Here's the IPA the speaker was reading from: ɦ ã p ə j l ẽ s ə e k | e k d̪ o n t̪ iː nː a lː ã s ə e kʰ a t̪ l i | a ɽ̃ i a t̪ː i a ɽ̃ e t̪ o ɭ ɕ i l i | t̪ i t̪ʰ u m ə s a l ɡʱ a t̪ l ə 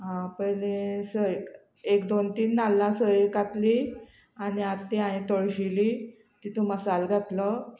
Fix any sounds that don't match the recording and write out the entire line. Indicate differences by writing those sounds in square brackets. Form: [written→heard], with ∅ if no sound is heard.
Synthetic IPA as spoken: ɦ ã p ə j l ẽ s ə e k | e k d̪ o n t̪ iː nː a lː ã s ə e [kʰ→k] a t̪ l i | a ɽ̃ i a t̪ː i a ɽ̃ [e→i] t̪ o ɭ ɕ i l i | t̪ i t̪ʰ u m ə s a l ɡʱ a t̪ l ə